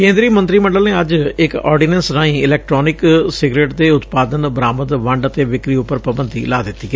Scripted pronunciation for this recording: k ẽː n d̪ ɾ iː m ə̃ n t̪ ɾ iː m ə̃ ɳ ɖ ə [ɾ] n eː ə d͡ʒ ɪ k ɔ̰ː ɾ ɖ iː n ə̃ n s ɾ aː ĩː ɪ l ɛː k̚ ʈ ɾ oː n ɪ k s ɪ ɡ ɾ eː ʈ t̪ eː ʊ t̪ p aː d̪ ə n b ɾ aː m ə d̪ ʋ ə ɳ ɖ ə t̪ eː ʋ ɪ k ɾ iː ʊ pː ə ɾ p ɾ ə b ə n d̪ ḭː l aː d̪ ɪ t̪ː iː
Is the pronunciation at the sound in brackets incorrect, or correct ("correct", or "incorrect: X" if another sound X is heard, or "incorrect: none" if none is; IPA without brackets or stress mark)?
incorrect: l